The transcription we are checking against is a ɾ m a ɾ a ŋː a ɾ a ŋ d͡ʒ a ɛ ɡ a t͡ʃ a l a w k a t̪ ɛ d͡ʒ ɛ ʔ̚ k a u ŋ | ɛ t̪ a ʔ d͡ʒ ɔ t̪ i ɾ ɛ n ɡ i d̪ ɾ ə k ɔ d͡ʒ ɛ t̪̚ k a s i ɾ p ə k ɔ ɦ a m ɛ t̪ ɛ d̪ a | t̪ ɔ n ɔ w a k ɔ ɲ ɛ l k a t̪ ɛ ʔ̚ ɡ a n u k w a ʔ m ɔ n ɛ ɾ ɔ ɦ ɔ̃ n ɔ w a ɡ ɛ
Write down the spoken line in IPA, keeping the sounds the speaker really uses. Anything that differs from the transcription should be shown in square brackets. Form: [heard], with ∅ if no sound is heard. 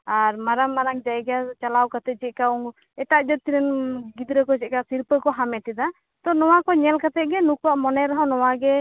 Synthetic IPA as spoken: a ɾ m a ɾ a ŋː a ɾ a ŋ d͡ʒ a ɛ ɡ a t͡ʃ a l a w k a t̪ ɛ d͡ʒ ɛ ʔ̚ k a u ŋ | ɛ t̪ a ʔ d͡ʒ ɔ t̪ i ɾ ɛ n ɡ i d̪ ɾ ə k ɔ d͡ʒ ɛ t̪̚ k a s i ɾ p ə k ɔ ɦ a m ɛ t̪ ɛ d̪ a | t̪ ɔ n ɔ w a k ɔ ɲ ɛ l k a t̪ ɛ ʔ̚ ɡ [ɛ] n u k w a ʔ m ɔ n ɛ ɾ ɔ ɦ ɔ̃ n ɔ w a ɡ ɛ